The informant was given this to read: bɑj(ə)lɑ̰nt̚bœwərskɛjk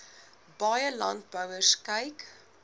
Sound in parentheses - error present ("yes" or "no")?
no